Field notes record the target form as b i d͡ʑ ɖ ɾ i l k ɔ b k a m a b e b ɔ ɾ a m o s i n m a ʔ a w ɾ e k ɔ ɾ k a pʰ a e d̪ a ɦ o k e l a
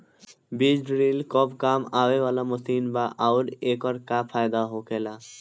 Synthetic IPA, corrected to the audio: b i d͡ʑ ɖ ɾ i l k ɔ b k a m a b e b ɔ l a m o s i n b a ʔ a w ɾ e k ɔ ɾ k a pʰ a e d̪ a ɦ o k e l a